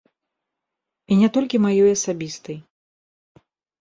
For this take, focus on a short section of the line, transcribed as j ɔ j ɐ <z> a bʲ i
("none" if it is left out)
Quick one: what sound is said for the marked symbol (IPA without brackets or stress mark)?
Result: s